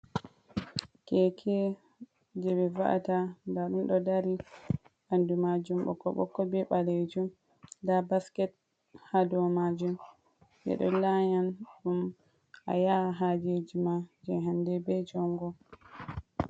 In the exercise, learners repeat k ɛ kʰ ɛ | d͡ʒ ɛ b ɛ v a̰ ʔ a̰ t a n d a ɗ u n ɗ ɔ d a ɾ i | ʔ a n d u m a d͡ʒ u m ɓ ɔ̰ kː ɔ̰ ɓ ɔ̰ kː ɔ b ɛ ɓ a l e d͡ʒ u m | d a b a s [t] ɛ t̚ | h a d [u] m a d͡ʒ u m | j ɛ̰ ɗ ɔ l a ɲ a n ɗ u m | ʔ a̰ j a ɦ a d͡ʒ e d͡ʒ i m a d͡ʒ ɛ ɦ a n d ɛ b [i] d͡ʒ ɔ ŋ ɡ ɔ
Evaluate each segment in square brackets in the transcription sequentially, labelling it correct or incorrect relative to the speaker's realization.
incorrect, incorrect, incorrect

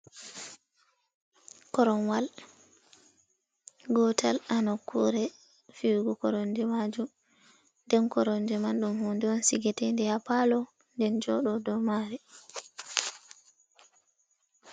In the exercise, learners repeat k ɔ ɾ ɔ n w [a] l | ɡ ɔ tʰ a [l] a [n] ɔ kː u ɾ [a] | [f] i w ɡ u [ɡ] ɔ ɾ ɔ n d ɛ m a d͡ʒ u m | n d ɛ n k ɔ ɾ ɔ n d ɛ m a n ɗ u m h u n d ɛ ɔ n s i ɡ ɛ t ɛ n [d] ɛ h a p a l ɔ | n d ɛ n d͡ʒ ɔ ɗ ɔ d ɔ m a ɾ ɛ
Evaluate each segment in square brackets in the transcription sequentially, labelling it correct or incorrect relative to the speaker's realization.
correct, correct, correct, incorrect, correct, incorrect, correct

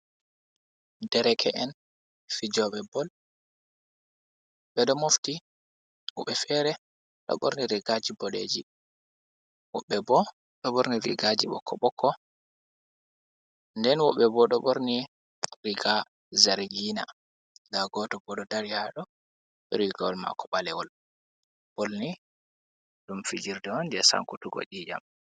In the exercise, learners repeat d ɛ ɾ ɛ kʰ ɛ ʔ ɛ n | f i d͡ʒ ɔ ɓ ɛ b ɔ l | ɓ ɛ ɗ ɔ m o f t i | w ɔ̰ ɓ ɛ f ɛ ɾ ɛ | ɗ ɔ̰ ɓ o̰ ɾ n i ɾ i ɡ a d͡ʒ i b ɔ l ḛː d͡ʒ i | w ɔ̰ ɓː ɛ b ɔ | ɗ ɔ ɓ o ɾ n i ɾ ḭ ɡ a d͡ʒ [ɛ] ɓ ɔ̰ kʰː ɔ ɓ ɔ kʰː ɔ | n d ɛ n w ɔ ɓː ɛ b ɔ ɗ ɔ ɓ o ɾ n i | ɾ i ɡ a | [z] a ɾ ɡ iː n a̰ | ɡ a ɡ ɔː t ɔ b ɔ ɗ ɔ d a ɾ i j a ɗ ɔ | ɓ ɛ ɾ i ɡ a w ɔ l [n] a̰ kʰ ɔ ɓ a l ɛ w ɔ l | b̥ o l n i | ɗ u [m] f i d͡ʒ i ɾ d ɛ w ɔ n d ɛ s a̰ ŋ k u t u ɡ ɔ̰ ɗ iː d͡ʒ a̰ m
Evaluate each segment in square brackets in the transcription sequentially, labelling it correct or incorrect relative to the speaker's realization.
incorrect, correct, incorrect, correct

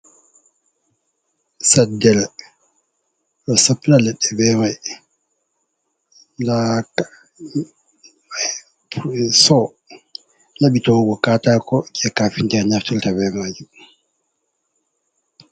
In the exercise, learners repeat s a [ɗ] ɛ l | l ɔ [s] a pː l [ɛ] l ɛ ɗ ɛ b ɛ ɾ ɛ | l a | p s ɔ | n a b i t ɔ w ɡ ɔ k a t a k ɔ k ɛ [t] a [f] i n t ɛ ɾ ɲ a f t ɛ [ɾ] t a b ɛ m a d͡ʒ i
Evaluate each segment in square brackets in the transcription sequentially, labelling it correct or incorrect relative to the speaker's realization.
incorrect, correct, incorrect, incorrect, correct, incorrect

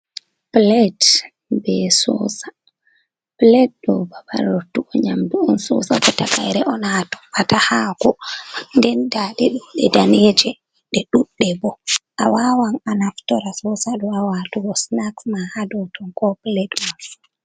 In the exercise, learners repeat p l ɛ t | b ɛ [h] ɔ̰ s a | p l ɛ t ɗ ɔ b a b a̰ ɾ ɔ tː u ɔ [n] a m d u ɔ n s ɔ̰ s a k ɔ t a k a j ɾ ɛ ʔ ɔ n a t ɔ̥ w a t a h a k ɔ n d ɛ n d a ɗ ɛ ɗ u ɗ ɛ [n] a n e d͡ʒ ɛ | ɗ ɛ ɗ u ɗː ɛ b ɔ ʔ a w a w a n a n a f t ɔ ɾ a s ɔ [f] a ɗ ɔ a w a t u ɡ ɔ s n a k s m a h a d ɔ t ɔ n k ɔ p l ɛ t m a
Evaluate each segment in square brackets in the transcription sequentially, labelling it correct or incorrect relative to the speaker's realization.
incorrect, incorrect, incorrect, incorrect

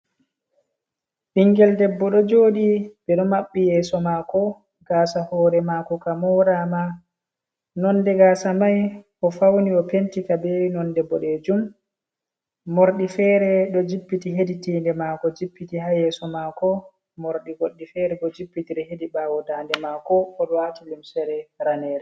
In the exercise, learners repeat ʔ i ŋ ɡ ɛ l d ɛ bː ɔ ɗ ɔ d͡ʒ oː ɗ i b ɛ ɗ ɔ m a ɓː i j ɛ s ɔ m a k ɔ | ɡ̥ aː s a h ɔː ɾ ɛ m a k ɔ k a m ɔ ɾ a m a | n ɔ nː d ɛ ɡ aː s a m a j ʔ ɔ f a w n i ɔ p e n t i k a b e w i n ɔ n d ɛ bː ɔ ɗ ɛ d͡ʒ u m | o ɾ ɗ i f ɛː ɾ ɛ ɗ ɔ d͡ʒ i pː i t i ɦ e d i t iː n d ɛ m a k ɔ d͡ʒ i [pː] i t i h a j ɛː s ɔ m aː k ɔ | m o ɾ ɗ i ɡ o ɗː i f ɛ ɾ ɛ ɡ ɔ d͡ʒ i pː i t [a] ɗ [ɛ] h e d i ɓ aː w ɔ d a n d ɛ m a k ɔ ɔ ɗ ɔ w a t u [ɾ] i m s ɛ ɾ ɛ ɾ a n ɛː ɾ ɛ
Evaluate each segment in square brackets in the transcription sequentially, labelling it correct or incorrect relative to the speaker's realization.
correct, incorrect, correct, incorrect

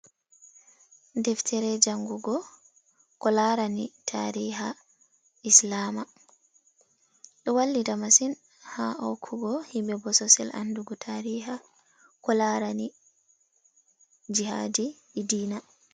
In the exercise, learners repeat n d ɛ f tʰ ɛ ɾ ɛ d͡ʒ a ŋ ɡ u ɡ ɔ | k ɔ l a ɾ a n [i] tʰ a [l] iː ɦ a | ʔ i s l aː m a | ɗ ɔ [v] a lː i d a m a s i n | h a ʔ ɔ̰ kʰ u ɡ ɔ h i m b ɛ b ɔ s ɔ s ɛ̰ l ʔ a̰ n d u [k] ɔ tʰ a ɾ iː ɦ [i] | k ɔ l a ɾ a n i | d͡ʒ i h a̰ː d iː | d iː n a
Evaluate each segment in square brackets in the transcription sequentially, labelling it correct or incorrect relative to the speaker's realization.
correct, incorrect, incorrect, incorrect, incorrect

